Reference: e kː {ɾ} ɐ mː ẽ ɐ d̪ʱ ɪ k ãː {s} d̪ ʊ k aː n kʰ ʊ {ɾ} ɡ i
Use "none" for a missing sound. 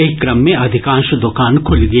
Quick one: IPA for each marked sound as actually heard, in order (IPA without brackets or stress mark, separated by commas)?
ɾ, ʃ, l